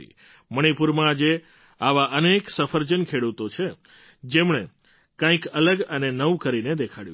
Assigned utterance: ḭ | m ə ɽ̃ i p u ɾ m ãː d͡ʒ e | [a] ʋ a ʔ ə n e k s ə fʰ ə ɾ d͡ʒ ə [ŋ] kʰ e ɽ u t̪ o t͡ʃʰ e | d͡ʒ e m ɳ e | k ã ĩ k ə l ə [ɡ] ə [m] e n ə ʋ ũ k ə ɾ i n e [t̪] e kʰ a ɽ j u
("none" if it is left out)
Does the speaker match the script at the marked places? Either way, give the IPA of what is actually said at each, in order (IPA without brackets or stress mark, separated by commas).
a, n, ɡ, n, d̪